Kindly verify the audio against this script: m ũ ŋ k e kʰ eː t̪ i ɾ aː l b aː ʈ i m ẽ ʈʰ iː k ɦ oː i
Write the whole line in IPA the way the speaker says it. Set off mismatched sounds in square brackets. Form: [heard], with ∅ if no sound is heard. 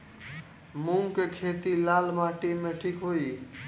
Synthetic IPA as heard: m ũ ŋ k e kʰ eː t̪ i [l] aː l [m] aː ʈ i m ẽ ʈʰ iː k ɦ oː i